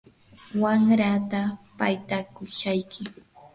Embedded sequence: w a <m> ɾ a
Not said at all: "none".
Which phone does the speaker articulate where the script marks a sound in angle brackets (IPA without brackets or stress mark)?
ŋ